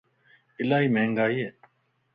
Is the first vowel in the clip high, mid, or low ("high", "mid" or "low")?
high